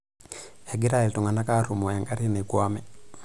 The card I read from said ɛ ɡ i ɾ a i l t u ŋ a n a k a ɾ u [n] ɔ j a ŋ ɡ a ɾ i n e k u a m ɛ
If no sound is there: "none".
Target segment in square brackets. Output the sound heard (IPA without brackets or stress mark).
m